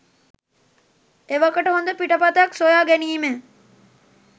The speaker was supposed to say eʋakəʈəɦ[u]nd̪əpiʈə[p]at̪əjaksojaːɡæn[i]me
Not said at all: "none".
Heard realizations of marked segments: o, p, iː

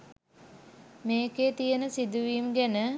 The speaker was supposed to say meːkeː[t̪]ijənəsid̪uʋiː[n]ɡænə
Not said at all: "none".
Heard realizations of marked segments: t̪, m

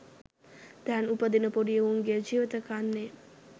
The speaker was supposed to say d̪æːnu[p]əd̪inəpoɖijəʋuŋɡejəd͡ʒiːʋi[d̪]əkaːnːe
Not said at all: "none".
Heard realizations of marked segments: p, t̪

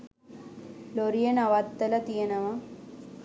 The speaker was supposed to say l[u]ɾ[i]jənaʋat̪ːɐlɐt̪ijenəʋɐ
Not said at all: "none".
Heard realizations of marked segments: o, i

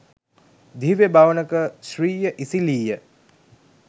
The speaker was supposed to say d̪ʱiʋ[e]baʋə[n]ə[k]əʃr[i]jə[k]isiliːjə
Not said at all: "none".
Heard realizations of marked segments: e, n, k, iː, ʔ

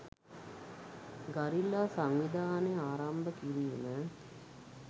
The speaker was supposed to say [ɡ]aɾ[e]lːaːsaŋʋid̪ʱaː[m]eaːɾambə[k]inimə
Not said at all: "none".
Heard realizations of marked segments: ɡ, i, n, k

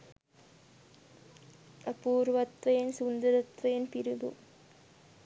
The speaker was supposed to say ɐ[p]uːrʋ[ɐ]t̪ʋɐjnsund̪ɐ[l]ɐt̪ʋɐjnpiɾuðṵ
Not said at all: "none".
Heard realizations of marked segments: p, ɐ, ɾ

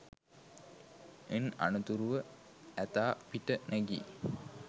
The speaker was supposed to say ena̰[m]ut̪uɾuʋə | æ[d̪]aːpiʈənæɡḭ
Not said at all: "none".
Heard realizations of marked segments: n, t̪

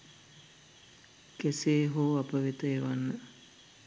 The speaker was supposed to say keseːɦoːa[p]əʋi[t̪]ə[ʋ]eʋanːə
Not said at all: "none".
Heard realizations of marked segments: p, t̪, none

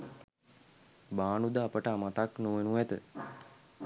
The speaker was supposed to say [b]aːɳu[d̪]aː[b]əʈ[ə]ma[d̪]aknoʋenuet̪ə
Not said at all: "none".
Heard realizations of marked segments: b, d̪, p, a, t̪

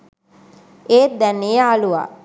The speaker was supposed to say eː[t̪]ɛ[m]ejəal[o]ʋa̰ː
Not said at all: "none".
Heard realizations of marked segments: d̪, n, u

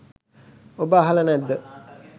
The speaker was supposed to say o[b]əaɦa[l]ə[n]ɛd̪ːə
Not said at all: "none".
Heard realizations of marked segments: b, l, n

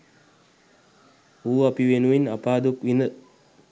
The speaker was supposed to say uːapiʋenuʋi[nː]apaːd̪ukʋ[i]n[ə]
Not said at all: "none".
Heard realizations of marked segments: n, i, ə

